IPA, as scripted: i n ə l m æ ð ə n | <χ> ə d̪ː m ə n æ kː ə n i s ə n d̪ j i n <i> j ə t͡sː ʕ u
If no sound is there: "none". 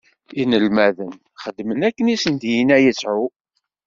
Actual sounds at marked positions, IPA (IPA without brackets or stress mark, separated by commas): χ, æ